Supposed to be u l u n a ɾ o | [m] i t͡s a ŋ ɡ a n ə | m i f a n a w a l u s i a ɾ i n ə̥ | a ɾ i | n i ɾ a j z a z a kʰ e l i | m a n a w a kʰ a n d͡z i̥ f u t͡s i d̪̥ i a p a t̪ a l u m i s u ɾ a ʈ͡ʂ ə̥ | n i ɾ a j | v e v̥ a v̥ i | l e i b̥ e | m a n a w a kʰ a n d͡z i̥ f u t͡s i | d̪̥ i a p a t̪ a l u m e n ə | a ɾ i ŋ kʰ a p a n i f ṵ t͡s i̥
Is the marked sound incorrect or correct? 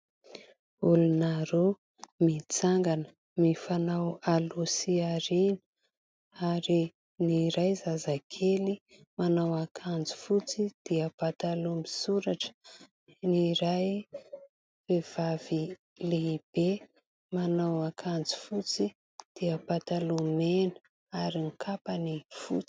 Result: correct